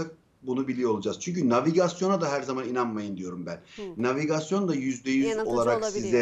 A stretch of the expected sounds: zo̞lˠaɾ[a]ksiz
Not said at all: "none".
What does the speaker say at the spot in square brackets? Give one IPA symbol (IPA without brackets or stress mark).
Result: a